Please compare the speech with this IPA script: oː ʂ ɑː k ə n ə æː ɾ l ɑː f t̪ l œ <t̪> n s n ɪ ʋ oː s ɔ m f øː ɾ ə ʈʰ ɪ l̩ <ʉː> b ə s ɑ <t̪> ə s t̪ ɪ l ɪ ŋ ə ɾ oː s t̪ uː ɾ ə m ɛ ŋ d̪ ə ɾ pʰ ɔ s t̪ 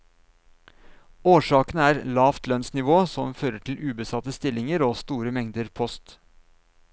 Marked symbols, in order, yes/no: no, yes, yes

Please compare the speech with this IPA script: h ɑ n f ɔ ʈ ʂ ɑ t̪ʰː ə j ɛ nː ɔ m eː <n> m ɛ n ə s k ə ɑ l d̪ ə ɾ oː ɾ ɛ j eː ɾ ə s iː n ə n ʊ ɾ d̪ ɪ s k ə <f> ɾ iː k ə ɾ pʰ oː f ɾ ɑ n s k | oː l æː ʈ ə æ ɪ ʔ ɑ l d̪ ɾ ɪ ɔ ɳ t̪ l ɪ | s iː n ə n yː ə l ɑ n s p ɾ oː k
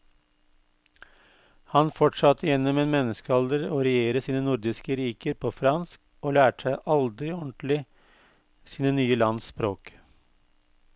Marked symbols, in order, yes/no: yes, no

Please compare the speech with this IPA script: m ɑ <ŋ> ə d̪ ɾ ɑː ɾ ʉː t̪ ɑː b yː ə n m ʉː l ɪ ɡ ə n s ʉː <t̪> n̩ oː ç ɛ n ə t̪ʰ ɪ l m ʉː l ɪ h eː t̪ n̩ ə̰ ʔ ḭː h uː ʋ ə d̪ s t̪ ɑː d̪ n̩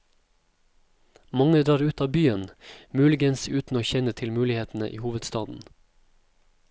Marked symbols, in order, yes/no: yes, yes

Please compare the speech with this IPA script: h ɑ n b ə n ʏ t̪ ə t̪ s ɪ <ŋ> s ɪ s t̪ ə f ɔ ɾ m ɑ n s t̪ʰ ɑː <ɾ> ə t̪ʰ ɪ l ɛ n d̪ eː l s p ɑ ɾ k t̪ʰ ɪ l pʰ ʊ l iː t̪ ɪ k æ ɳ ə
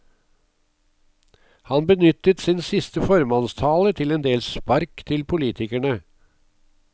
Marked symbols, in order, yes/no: no, no

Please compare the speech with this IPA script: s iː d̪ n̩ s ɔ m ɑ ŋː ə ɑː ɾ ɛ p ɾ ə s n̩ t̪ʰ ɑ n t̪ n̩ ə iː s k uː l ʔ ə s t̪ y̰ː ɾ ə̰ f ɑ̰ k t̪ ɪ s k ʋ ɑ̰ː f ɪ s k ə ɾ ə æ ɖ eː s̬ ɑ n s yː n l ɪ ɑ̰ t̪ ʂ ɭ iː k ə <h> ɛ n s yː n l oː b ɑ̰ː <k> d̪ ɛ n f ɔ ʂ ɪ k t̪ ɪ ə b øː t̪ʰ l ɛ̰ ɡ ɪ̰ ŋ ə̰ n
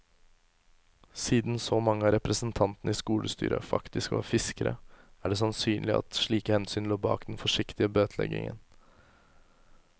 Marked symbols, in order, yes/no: yes, yes

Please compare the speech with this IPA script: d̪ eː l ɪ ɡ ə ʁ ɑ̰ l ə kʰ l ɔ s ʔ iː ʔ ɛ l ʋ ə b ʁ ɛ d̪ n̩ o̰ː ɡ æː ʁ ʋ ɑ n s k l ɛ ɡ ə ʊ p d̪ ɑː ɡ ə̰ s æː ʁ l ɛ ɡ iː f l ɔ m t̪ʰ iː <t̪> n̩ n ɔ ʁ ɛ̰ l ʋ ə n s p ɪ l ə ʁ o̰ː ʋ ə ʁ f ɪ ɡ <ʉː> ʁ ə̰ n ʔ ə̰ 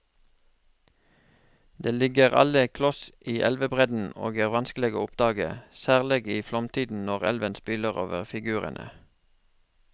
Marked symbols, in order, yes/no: no, yes

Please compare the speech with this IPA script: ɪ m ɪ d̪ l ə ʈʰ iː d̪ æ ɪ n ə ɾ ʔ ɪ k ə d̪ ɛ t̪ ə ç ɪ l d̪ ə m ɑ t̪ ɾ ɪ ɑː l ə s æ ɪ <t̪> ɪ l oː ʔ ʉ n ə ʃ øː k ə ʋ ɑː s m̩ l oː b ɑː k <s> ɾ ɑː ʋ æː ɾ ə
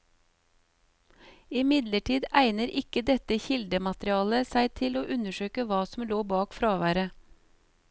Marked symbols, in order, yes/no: no, no

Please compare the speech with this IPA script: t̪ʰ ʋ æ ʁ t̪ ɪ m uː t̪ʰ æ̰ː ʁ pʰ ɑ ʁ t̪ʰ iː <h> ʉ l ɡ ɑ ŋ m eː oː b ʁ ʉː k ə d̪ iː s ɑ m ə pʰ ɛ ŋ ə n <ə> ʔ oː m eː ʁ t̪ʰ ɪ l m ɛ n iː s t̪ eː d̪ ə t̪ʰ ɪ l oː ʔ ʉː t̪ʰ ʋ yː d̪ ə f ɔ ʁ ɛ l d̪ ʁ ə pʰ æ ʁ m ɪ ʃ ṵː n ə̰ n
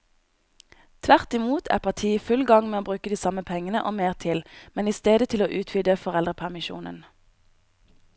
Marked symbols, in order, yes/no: no, yes

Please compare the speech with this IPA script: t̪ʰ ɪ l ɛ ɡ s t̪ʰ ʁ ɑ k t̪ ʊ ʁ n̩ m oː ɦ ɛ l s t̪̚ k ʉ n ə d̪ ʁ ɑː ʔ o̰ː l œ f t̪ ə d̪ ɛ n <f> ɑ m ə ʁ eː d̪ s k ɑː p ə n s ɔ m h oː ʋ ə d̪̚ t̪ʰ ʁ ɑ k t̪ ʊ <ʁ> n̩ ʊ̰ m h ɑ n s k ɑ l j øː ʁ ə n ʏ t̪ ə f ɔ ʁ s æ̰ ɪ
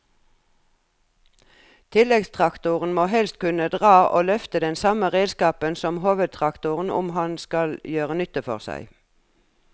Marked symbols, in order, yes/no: no, yes

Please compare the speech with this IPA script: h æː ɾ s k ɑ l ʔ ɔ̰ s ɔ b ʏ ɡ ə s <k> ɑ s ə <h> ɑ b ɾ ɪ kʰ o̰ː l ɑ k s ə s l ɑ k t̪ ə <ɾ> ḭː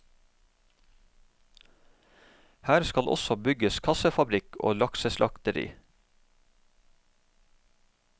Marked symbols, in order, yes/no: no, no, yes

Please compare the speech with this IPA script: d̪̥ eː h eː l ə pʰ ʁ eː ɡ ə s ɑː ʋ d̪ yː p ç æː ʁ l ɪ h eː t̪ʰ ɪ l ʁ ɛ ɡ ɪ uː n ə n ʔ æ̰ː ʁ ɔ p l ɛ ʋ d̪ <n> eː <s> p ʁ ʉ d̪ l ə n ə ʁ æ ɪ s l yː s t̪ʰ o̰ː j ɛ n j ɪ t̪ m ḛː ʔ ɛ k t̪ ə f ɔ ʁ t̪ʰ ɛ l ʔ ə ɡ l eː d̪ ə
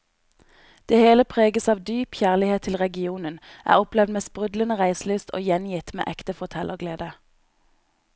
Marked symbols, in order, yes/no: no, yes

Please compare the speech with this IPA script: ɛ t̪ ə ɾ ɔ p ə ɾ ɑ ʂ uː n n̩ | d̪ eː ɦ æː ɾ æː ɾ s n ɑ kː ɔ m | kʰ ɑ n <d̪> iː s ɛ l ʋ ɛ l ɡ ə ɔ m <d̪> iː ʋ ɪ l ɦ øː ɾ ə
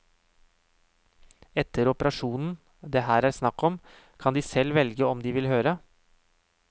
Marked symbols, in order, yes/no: yes, yes

